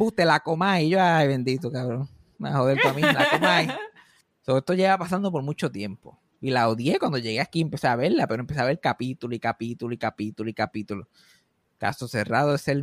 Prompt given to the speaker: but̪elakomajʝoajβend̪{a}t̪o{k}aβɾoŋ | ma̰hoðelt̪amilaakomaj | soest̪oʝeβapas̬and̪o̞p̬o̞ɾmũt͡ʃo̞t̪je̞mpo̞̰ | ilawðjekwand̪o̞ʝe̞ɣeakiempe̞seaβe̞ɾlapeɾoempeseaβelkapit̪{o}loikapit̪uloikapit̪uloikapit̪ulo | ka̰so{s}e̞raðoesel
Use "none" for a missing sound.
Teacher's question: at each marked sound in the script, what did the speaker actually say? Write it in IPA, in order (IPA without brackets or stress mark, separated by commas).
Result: i, k, u, s